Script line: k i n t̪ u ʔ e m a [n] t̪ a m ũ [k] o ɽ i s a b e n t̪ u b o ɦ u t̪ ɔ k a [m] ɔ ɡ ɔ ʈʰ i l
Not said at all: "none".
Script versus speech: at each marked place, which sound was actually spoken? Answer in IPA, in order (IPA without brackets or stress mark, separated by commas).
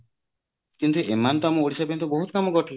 n, none, m